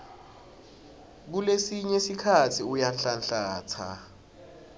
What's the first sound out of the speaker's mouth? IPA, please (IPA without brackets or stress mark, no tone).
k̬